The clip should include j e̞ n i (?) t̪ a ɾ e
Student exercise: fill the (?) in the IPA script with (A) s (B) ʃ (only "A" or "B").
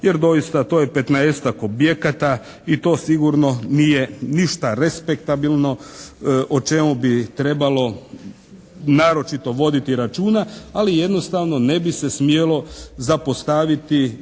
B